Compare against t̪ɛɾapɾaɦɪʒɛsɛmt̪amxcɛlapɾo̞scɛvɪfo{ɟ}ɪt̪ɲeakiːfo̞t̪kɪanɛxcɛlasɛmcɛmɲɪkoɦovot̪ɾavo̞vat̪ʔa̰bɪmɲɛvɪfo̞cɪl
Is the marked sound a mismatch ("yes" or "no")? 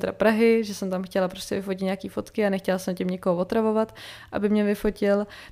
yes